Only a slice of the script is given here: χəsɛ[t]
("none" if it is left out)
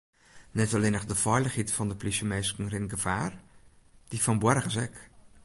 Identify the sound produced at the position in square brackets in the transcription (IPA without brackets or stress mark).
k